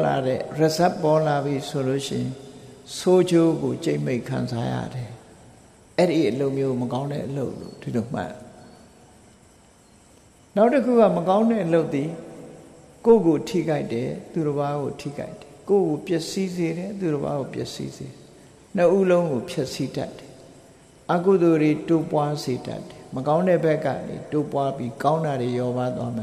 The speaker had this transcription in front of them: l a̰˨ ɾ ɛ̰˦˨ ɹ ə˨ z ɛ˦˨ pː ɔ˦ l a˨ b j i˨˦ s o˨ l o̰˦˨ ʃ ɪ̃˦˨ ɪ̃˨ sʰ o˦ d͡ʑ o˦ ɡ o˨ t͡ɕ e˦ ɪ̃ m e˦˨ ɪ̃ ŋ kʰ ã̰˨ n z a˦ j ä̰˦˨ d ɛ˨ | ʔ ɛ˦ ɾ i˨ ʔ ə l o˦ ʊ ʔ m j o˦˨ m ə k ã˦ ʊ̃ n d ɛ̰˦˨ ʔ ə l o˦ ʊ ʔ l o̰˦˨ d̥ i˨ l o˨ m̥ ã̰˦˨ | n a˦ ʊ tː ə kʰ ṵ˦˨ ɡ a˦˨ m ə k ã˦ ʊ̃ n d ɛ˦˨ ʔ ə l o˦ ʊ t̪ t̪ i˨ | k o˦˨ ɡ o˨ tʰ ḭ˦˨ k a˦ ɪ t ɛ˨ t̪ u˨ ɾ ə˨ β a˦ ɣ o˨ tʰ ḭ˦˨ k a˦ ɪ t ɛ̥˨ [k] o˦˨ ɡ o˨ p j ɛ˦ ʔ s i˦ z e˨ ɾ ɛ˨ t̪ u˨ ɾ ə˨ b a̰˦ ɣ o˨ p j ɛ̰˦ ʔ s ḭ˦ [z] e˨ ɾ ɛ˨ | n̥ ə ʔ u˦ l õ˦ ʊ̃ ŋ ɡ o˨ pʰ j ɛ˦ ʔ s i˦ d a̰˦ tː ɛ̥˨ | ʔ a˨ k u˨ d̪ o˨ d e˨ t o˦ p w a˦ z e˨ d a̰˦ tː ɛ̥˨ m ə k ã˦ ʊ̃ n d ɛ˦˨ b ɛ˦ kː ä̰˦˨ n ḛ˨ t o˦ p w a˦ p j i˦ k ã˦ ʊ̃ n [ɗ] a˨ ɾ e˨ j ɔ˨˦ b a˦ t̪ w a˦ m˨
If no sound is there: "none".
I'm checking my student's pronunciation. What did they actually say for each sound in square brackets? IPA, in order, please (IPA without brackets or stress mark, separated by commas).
k, z, d